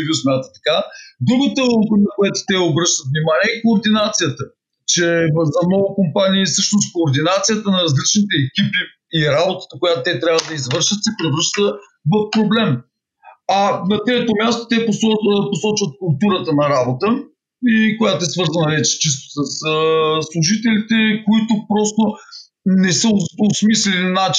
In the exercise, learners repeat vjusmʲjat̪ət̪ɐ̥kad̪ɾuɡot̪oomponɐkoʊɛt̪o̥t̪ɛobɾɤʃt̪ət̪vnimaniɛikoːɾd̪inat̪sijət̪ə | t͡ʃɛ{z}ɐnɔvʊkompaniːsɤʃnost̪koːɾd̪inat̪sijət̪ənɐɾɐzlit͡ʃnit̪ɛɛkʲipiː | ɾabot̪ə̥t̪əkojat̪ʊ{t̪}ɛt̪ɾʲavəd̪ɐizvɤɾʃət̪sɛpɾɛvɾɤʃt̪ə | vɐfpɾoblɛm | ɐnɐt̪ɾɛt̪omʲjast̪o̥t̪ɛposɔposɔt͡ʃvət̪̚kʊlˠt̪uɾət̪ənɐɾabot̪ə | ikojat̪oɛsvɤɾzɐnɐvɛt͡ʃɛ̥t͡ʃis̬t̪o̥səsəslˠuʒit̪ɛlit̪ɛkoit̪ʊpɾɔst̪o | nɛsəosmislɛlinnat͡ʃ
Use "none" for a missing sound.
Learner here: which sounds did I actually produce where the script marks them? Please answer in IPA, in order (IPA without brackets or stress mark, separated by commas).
z, t̪